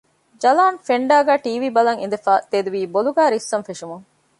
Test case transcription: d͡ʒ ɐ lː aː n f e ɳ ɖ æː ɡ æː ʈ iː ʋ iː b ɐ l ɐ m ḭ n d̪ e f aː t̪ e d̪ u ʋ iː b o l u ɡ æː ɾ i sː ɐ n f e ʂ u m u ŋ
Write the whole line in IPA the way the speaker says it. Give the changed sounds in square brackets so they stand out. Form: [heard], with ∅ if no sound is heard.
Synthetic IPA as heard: d͡ʒ ɐ [l] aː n f e ɳ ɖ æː ɡ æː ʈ iː ʋ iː b ɐ l ɐ [ŋ] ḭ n d̪ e f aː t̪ e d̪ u ʋ iː b o l u ɡ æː ɾ i sː ɐ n f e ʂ u m u ŋ